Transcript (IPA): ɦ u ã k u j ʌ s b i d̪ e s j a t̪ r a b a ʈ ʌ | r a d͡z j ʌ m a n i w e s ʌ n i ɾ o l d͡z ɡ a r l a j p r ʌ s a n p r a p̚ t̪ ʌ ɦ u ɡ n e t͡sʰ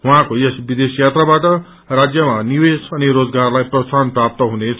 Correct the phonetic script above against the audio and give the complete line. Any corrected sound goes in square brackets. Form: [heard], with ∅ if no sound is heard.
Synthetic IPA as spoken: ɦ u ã k [o] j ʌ s b i d̪ e s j a t̪ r a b a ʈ ʌ | r a d͡z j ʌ m a n i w e s ʌ n i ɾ o [∅] d͡z ɡ a r l a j p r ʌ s a n p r a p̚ t̪ ʌ ɦ u [∅] n e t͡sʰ

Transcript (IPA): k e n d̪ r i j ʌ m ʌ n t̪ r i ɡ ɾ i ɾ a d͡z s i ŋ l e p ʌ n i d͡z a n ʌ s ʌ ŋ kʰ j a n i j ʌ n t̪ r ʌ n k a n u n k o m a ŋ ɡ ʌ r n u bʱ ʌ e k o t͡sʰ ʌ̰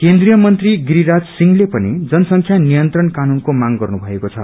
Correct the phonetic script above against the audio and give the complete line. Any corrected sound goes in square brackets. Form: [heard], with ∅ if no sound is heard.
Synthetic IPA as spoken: k e n d̪ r i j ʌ m ʌ n t̪ r i ɡ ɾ i ɾ a d͡z s i ŋ l e p ʌ n i d͡z [ʌ] n ʌ s ʌ ŋ kʰ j a n i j ʌ n t̪ r ʌ n k a n u n k o m a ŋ ɡ ʌ r n u bʱ ʌ e k o t͡sʰ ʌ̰

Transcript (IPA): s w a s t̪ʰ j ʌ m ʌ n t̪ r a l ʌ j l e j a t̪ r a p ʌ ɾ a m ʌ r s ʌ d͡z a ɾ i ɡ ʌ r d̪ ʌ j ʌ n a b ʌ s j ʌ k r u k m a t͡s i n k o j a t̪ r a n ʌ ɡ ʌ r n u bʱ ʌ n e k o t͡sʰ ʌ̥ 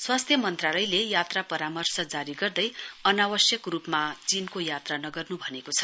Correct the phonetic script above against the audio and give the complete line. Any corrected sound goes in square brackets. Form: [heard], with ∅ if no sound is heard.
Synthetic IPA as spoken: s w a s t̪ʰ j ʌ m ʌ n t̪ r a l ʌ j l e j a t̪ r a p ʌ ɾ a m ʌ r s ʌ d͡z a ɾ i ɡ ʌ r d̪ ʌ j ʌ n a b ʌ s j ʌ k r u [p] m a t͡s i n k o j a t̪ r a n ʌ ɡ ʌ r n u bʱ ʌ n e k o t͡sʰ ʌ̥

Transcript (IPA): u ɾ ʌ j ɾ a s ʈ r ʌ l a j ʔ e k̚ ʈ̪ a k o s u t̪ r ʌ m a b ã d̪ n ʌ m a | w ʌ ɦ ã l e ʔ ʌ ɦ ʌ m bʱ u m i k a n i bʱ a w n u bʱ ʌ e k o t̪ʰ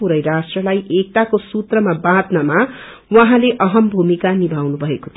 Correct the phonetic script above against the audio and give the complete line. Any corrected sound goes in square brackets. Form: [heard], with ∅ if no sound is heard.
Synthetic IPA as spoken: u ɾ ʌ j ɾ a s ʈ r ʌ l a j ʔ e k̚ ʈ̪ a k o s u t̪ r ʌ m a b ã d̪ n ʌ m a | w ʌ ɦ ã l e ʔ ʌ ɦ ʌ m bʱ u m i k a n i bʱ a w n u bʱ ʌ e k o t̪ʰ

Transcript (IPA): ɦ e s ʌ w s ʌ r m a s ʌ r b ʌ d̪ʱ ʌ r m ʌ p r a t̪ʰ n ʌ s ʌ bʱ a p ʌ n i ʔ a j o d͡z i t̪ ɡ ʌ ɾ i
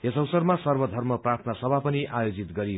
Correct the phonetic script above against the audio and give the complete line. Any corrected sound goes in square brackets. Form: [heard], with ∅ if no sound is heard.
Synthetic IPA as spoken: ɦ e s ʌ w s ʌ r m a s ʌ r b ʌ d̪ʱ ʌ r m ʌ p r a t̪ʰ n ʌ s ʌ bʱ a p ʌ n i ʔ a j o d͡z i t̪ ɡ ʌ ɾ i

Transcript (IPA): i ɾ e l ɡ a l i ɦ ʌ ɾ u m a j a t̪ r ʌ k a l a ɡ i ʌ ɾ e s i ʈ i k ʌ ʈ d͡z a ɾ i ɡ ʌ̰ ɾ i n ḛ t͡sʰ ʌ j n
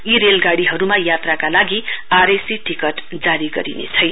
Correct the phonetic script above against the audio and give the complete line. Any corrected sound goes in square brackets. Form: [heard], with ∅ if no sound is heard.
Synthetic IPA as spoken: i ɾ e l ɡ a [ɽ] i ɦ ʌ ɾ u m a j a t̪ r [a] k a l a ɡ i [a] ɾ e s i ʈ i k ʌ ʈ d͡z a ɾ i ɡ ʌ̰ ɾ i n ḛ t͡sʰ ʌ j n

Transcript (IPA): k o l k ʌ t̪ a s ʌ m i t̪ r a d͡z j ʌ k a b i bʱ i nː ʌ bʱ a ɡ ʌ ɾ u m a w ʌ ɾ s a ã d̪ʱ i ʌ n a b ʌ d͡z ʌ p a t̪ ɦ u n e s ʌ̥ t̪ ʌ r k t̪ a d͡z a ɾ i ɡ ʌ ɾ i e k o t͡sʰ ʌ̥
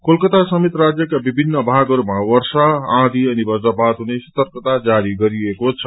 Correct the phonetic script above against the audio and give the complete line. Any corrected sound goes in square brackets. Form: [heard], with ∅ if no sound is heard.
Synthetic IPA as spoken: k o l k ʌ t̪ a s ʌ m i t̪ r a d͡z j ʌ k a b i bʱ i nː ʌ bʱ a ɡ ʌ ɾ u m a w ʌ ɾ s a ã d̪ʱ i ʌ n [i] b ʌ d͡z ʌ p a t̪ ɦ u n e s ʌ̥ t̪ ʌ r k t̪ a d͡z a ɾ i ɡ ʌ ɾ i e k o t͡sʰ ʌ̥

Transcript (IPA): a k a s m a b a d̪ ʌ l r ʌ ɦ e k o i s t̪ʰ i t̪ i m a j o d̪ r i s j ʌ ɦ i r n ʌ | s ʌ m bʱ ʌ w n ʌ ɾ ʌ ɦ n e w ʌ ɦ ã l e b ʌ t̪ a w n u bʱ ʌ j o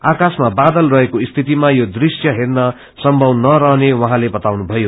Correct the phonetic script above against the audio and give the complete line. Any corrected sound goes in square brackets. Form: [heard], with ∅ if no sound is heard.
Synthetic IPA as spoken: a k a s m a b a d̪ ʌ l r ʌ ɦ e k o i s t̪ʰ i t̪ i m a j o d̪ r i s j ʌ ɦ [e] r n ʌ | s ʌ m bʱ ʌ w n ʌ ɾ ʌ ɦ n e w ʌ ɦ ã l e b ʌ t̪ a w n u bʱ ʌ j o

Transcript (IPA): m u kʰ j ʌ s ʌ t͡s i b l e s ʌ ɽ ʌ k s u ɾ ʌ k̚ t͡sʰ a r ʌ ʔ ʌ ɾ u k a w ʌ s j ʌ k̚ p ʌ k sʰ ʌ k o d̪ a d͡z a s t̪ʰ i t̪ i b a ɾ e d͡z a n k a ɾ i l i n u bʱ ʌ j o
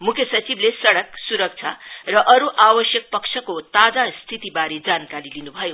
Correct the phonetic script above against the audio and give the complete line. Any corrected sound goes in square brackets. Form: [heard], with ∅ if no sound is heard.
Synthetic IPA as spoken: m u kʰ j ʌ s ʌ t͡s i b l e s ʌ ɽ ʌ k s u ɾ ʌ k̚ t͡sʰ a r ʌ ʔ ʌ ɾ u [ʔ] a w ʌ s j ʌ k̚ p ʌ k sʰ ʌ k o [t̪] a d͡z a s t̪ʰ i t̪ i b a ɾ e d͡z a n k a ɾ i l i n u bʱ ʌ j o

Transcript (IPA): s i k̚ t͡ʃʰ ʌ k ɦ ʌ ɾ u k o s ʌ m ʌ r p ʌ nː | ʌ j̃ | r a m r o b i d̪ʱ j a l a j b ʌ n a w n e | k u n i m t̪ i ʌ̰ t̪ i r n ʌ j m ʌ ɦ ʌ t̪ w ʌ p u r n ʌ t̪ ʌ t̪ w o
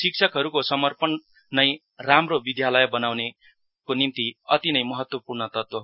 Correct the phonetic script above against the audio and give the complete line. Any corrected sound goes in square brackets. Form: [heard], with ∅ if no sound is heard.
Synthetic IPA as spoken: s i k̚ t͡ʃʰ ʌ k ɦ ʌ ɾ u k o s ʌ m ʌ r p ʌ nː | ʌ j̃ | r a m r o b i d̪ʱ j a l [ʌ] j b ʌ n a w n e | k [o] n i m t̪ i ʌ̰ t̪ i [∅] n ʌ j m ʌ ɦ ʌ t̪ w ʌ p u r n ʌ t̪ ʌ t̪ w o

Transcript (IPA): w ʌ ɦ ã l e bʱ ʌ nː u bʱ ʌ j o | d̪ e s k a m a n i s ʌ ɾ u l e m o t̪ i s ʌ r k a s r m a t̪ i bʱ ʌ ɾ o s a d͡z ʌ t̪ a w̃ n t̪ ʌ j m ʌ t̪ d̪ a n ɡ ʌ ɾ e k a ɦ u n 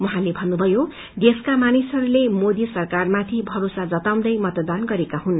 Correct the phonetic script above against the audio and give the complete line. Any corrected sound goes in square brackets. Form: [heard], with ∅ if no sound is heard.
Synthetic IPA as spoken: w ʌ ɦ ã l e bʱ ʌ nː u bʱ ʌ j o | d̪ e s k a m a n i s ʌ ɾ u l e m o [d̪] i s ʌ r k a [∅] r m a [t̪ʰ] i bʱ ʌ ɾ o s a d͡z ʌ t̪ a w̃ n [d̪] ʌ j m ʌ t̪ d̪ a n ɡ ʌ ɾ e k a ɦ u n

